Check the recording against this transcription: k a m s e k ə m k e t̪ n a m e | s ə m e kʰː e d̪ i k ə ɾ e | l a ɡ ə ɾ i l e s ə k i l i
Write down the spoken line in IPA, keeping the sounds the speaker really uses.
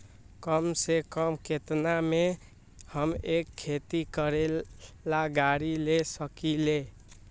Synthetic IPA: k ə m s e k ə m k e t̪ n a m e | h ə m e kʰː e t̪ i k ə ɾ e | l a ɡ a ɾ i l e s ə k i l e